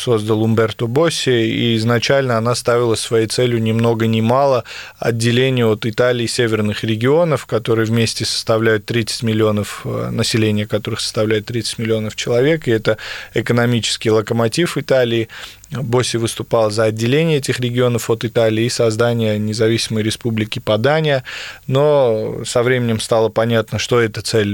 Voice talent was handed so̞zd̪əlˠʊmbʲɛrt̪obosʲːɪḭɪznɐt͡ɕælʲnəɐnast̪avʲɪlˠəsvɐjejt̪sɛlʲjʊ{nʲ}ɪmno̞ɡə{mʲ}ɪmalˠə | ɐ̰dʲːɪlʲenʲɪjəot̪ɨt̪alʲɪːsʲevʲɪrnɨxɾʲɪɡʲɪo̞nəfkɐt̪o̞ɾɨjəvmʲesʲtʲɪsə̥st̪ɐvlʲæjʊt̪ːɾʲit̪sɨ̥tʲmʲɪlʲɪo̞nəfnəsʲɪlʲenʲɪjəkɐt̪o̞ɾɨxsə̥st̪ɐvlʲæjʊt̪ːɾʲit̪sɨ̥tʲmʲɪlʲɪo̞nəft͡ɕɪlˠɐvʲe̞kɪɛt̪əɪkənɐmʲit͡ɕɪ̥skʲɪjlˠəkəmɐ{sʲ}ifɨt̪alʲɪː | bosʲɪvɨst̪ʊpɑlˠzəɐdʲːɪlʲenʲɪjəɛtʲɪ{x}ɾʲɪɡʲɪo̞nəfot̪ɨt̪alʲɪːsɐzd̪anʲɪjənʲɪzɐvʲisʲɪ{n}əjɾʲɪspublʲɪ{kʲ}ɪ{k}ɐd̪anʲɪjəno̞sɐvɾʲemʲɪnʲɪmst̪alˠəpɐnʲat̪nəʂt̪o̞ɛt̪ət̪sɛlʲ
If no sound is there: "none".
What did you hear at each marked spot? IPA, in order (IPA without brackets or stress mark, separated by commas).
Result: nʲ, nʲ, tʲ, x, m, kʲ, p